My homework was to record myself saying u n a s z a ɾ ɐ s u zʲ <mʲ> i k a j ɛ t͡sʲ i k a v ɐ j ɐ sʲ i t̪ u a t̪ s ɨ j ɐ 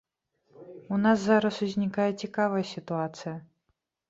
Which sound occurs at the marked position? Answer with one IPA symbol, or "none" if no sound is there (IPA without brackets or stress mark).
nʲ